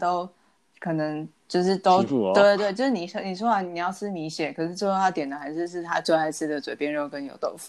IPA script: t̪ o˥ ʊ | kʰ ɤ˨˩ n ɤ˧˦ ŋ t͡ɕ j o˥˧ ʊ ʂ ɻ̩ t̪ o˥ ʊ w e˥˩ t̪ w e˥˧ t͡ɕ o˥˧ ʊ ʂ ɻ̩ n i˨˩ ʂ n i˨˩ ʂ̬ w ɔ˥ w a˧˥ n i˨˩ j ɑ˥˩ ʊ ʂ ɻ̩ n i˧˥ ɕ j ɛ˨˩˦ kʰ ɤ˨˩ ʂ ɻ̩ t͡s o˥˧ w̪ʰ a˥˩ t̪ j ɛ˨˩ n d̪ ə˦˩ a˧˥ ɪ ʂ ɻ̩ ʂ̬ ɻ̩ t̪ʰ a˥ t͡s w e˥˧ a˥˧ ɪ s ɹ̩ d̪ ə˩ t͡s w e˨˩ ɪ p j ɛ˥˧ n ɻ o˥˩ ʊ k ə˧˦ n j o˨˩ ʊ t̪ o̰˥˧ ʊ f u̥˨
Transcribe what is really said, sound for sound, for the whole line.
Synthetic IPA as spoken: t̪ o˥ ʊ | kʰ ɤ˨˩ n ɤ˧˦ ŋ t͡ɕ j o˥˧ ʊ ʂ ɻ̩ t̪ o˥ ʊ w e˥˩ t̪ w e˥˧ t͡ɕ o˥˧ ʊ ʂ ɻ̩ n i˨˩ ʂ n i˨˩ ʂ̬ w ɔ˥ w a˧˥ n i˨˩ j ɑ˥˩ ʊ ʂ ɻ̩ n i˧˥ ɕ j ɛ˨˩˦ kʰ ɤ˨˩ ʂ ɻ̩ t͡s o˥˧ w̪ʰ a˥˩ t̪ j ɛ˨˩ n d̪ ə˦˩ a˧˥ ɪ ʂ ɻ̩ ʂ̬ ɻ̩ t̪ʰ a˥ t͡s w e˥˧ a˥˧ ɪ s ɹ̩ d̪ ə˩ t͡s w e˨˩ ɪ p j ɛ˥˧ n ɻ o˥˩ ʊ k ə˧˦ n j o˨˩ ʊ t̪ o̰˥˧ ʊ f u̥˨